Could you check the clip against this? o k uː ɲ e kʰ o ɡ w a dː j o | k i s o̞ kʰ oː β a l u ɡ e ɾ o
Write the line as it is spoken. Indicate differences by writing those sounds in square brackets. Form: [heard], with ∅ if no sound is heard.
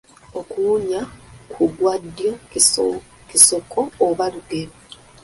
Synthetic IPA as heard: o k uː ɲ [a] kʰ [u] ɡ w a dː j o | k i s o̞ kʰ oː β a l u ɡ e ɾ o